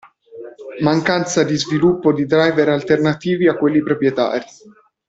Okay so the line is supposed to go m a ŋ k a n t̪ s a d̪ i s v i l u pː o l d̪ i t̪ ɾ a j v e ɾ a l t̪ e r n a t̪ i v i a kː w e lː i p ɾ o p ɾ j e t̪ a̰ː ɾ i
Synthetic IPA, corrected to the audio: m a ŋ k a n t̪ s a d̪ i z v i l u pː o d̪ i d̪ ɾ a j v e ɾ a l t̪ e r n a t̪ iː v i a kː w e lː i p ɾ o p ɾ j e t̪ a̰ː ɾ i